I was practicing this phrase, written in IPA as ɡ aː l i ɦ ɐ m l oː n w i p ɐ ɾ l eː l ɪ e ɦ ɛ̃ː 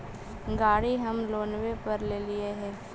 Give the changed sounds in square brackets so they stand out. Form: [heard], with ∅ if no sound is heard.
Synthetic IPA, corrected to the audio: ɡ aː [ɽ] i ɦ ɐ m l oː n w [e] p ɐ ɾ l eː l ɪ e ɦ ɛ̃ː